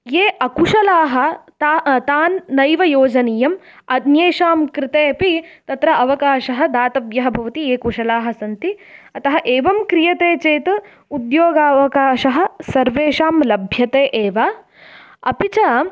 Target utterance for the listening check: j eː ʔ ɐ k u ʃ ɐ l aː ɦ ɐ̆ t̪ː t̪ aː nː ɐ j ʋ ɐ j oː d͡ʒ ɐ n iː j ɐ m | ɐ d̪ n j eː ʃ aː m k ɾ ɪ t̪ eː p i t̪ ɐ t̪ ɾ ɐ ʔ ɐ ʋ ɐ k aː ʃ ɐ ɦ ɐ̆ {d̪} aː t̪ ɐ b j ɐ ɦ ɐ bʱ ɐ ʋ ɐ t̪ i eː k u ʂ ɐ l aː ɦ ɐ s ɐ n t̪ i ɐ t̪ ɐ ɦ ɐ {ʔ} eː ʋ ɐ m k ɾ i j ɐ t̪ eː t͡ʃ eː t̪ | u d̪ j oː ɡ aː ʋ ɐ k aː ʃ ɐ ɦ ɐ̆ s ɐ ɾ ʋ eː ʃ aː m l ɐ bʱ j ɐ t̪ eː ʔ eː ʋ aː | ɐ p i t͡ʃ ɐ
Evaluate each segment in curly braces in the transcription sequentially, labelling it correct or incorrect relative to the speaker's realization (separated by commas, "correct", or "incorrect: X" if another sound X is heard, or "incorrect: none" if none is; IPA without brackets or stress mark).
correct, correct